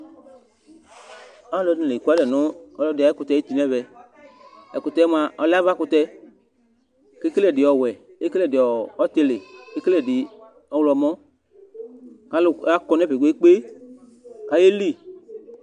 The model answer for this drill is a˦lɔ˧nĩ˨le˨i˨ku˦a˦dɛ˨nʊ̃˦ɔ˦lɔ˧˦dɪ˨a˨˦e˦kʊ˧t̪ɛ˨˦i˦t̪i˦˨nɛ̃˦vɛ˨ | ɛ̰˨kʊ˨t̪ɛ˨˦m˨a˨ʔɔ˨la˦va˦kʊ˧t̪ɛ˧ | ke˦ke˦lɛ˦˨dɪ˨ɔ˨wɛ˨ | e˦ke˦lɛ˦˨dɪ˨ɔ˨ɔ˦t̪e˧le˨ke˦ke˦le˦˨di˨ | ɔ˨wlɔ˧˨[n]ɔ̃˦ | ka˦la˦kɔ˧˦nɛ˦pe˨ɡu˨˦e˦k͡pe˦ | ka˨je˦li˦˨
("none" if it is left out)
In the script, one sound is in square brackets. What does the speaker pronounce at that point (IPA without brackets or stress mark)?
m